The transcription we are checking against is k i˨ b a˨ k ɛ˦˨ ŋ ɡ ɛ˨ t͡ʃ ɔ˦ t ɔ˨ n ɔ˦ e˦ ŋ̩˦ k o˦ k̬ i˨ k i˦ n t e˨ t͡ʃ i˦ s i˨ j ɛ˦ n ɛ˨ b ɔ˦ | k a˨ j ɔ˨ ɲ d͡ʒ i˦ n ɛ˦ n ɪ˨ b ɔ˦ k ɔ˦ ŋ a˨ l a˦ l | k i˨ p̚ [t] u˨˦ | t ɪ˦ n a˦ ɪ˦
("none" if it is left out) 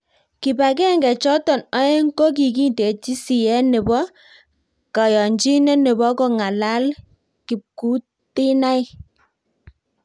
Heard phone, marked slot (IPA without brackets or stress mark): k